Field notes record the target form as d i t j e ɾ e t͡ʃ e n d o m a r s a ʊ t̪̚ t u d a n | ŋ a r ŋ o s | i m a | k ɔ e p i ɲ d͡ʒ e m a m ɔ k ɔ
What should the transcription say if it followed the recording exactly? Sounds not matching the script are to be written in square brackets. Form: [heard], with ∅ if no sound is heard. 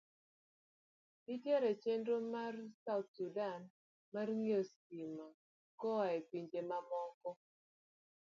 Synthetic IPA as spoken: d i t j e ɾ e t͡ʃ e n d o m a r s a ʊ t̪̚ [s] u d a n | [m] a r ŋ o s | i m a | k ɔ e p i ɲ d͡ʒ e m a m ɔ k ɔ